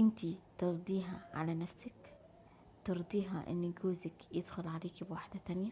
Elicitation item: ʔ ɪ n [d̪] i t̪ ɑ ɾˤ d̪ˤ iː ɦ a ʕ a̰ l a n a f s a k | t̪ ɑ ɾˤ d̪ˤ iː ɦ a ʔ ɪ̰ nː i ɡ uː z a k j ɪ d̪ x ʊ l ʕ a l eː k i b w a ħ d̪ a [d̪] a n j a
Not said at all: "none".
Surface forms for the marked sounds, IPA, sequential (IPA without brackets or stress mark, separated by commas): t̪, t̪